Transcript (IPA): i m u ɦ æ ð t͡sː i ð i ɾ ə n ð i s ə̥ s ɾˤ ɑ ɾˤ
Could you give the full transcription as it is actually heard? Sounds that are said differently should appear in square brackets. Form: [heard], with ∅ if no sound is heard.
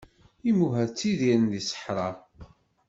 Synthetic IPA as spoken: i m u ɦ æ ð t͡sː i ð i ɾ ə n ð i s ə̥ [ħ] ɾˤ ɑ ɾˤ